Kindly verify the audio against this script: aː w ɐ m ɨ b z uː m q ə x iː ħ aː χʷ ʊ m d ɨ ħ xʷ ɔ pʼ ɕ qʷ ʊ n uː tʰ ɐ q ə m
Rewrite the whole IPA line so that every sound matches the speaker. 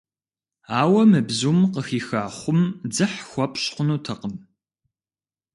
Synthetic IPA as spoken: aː w ɐ m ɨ b z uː m q ə x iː x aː χʷ ʊ m d͡z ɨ ħ xʷ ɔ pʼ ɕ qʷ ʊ n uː tʰ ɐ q ə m